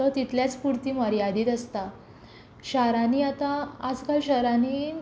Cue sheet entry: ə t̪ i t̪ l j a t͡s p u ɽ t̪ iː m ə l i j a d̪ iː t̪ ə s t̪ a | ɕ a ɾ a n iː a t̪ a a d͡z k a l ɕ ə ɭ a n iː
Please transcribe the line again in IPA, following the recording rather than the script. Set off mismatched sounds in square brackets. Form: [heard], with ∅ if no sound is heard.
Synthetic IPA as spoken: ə t̪ i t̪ l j a t͡s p u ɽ t̪ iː m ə [ɾ] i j a d̪ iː t̪ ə s t̪ a | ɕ a ɾ a n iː a t̪ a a d͡z k a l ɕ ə [ɾ] a n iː